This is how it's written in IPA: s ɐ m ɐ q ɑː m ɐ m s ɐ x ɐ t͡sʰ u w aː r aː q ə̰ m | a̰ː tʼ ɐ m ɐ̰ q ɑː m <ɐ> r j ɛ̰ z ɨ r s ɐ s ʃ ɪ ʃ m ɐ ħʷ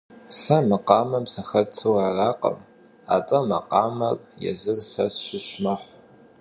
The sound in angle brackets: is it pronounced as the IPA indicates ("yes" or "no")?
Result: yes